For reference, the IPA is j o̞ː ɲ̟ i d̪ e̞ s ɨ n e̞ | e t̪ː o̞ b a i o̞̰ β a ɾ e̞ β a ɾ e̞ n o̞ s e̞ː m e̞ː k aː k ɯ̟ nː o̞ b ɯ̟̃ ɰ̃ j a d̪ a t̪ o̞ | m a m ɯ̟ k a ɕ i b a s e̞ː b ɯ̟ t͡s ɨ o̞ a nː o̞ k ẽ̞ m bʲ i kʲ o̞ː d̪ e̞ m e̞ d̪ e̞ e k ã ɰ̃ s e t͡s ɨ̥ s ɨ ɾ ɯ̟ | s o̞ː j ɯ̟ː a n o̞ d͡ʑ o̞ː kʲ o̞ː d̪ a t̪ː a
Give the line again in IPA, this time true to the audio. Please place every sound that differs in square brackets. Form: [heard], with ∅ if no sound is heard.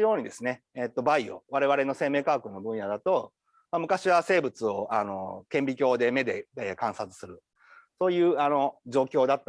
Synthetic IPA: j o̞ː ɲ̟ i d̪ e̞ s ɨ n e̞ | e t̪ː o̞ b a i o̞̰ β a ɾ e̞ β a ɾ e̞ n o̞ s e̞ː m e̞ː k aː k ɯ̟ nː o̞ b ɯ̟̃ ɰ̃ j a d̪ a t̪ o̞ | m a m ɯ̟ k a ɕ i [β] a s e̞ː b ɯ̟ t͡s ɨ o̞ a [n] o̞ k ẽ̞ m bʲ i kʲ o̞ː d̪ e̞ m e̞ d̪ e̞ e k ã ɰ̃ s [a] t͡s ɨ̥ s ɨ ɾ ɯ̟ | s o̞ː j ɯ̟ː a n o̞ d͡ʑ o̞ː kʲ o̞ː d̪ a t̪ː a